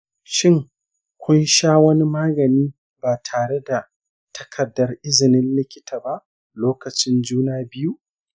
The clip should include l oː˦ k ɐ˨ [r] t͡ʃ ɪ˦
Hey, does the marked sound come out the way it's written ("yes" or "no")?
no